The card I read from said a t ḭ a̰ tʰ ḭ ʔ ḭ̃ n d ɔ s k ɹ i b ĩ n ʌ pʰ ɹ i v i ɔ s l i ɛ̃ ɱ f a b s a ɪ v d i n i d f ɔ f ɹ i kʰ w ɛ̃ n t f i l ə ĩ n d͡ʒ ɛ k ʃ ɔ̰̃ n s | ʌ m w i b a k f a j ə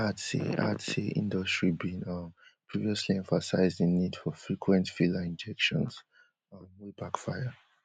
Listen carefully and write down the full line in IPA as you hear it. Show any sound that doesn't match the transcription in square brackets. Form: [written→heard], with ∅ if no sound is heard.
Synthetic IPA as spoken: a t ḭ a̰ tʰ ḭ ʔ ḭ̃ n d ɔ s [k→t] ɹ i b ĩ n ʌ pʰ ɹ i v i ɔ s l i ɛ̃ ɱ f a [b→∅] s a ɪ [v→z] d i n i d f ɔ f ɹ i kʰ w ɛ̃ n t f i l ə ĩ n d͡ʒ ɛ k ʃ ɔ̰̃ n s | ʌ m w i b a k f a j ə